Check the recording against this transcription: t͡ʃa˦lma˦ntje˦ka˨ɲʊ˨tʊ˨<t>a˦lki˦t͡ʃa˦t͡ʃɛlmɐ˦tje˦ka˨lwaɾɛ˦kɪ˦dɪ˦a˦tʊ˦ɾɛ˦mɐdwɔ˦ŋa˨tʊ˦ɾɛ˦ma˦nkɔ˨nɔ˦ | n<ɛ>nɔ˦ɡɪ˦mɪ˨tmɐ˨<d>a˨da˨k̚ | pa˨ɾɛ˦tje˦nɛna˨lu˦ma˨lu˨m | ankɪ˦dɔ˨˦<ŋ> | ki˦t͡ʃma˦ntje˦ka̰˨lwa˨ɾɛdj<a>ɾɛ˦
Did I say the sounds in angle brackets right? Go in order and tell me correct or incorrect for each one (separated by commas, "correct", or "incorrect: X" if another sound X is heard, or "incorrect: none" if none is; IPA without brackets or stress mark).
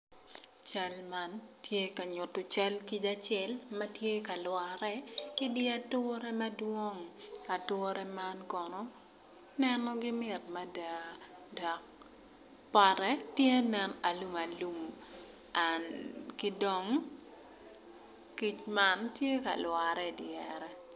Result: incorrect: t͡ʃ, correct, correct, correct, incorrect: ɛ